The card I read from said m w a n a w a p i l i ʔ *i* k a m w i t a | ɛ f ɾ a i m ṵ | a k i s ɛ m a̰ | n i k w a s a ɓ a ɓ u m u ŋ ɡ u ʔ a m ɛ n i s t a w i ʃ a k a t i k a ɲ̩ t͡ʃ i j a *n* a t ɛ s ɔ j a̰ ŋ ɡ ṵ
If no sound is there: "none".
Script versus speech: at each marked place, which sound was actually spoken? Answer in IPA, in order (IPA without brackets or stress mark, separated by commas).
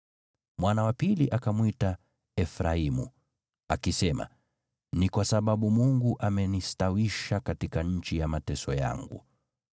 a, m